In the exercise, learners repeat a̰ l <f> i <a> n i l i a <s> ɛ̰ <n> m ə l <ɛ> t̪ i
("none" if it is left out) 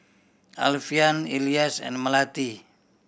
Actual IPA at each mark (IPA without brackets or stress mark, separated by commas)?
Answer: f, a, s, n, a